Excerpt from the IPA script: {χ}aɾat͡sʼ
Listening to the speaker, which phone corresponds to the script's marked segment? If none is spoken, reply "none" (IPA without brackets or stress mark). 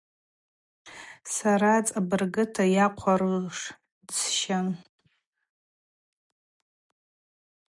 s